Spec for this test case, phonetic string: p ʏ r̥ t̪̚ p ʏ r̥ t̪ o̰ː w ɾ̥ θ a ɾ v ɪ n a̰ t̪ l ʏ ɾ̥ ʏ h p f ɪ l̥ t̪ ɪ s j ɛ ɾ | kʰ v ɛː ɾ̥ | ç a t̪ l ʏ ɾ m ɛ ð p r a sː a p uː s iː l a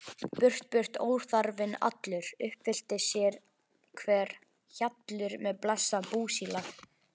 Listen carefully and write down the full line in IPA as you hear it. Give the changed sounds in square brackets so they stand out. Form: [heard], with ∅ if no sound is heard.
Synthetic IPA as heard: p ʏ r̥ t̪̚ p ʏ r̥ t̪ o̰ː w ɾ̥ θ a ɾ v ɪ n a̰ t̪ l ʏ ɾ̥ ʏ h p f ɪ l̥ t̪ ɪ s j ɛ ɾ | kʰ v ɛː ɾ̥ | ç a t̪ l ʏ ɾ m ɛ ð p [l] a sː a p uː s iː l a

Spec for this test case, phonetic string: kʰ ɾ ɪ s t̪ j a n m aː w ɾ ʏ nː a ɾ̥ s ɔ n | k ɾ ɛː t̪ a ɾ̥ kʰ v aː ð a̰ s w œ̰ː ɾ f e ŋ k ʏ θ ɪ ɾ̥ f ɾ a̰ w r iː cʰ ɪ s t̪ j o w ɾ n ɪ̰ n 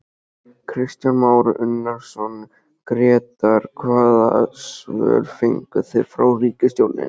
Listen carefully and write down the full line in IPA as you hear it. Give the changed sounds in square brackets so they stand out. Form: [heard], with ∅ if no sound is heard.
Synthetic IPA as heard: kʰ ɾ ɪ s t̪ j a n m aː w ɾ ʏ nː a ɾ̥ s ɔ n | k ɾ ɛː t̪ a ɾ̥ kʰ v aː ð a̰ s [v] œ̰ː ɾ f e ŋ k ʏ θ ɪ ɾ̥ f ɾ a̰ w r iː [c] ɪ s t̪ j o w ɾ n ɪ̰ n

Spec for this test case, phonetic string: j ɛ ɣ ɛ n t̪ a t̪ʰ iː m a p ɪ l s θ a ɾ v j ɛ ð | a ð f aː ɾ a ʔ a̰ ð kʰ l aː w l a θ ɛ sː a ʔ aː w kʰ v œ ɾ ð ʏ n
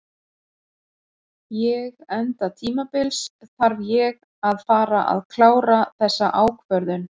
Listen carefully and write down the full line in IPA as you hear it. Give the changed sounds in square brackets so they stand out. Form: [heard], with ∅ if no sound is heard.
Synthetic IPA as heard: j ɛ ɣ ɛ n t̪ a t̪ʰ iː m a p ɪ l s θ a ɾ v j ɛ [ɣ] | a ð f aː ɾ a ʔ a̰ ð kʰ l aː w [ɾ] a θ ɛ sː a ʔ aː w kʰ v œ ɾ ð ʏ n

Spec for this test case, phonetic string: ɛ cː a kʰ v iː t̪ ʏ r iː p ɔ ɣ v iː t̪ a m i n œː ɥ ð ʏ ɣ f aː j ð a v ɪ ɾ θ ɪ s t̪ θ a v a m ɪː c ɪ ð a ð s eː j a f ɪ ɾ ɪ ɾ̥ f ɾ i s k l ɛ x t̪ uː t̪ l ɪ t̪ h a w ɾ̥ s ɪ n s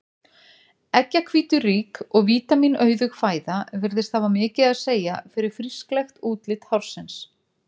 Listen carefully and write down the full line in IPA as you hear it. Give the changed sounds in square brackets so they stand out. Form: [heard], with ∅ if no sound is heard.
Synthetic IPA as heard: ɛ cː a kʰ v iː t̪ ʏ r iː [k] ɔ ɣ v iː t̪ a m i n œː ɥ ð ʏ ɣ f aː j ð a v ɪ ɾ [ð] ɪ s t̪ θ a v a m ɪː c ɪ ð a ð s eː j a f ɪ ɾ ɪ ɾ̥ f ɾ i s k l ɛ x t̪ uː t̪ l ɪ t̪ h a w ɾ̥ s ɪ n s

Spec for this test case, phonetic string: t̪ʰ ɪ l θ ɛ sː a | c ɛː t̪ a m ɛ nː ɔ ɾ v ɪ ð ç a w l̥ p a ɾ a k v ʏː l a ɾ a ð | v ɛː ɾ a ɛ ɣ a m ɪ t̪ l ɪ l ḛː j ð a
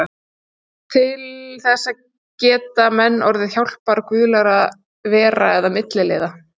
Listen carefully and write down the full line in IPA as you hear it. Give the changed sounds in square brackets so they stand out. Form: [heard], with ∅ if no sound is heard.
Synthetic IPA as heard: t̪ʰ ɪ l θ ɛ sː a | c ɛː t̪ a m ɛ nː ɔ ɾ [ð] ɪ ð ç a w l̥ p a ɾ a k v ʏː l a ɾ a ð | v ɛː ɾ a ɛ [ð] a m ɪ t̪ l ɪ l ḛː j ð a

